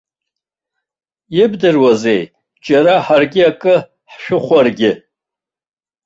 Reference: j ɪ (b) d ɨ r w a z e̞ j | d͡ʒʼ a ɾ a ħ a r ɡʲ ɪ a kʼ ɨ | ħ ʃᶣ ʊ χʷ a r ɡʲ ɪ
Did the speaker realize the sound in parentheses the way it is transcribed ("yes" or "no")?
yes